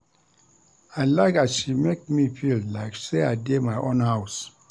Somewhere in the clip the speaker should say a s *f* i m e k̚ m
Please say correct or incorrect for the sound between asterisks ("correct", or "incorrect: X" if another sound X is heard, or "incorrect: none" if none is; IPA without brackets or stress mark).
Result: incorrect: ʃ